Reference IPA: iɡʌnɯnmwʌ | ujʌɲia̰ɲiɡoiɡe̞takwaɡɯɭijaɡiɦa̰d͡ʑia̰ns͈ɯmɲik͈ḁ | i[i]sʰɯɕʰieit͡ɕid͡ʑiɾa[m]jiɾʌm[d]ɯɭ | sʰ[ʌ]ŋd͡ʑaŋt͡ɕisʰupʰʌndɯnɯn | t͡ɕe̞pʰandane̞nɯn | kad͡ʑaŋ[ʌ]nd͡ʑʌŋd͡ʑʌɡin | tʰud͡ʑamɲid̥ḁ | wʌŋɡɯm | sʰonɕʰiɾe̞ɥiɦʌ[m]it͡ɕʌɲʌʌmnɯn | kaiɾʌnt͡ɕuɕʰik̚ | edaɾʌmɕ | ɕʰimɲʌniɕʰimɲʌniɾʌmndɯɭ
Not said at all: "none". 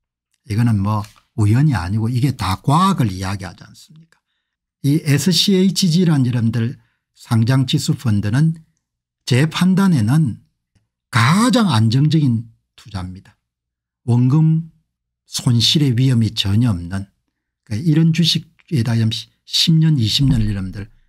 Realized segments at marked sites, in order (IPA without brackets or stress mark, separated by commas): e, n, d, a, a, m